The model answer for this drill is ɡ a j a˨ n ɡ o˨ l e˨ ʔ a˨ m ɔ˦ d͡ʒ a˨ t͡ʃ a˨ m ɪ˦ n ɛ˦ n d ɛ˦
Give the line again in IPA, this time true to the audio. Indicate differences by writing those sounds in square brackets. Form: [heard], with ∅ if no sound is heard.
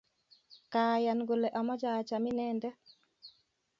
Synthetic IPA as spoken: [k] a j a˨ n ɡ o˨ l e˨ ʔ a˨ m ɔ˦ d͡ʒ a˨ t͡ʃ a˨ m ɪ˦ n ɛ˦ n d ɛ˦

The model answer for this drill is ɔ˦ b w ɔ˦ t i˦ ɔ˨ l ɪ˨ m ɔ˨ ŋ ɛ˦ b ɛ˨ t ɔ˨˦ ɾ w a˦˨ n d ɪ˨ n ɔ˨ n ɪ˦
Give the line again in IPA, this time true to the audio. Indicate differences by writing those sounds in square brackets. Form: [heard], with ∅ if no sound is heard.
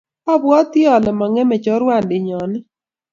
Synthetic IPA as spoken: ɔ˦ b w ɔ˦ t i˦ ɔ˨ l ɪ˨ m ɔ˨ ŋ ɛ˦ [m] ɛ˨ [t͡ʃ] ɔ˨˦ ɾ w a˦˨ n d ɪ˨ [ɲ] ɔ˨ n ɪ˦

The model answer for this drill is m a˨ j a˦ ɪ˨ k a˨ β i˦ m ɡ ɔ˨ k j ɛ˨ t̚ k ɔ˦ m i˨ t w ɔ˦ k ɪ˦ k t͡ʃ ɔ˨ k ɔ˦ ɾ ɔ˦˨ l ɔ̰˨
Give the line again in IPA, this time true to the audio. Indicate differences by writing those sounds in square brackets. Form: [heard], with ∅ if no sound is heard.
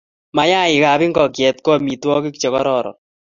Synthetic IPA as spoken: m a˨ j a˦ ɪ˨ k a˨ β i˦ [ŋ] ɡ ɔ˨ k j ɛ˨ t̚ k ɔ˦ m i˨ t w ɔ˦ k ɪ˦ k t͡ʃ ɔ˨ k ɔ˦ ɾ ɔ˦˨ [ɾ] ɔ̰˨

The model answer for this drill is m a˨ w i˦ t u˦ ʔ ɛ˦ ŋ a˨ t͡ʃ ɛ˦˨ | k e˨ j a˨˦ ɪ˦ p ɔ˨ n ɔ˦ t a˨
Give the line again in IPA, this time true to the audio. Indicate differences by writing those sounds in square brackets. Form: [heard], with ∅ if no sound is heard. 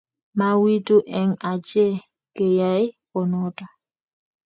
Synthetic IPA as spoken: m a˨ w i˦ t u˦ ʔ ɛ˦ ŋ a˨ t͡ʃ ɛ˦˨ | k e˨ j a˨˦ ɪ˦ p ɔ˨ n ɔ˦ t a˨

